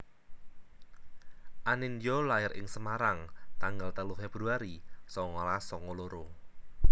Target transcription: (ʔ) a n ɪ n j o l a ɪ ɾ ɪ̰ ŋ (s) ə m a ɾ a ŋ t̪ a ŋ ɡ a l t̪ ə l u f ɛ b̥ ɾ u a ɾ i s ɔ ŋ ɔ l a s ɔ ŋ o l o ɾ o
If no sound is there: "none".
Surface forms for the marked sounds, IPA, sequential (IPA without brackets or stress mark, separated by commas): ʔ, s